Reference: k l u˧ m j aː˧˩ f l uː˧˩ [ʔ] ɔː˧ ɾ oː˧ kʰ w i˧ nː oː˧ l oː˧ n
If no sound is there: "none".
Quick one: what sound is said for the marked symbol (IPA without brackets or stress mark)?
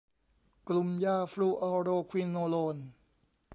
ʔ